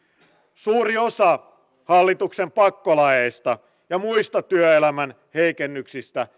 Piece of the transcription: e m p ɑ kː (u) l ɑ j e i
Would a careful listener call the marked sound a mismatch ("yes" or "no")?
yes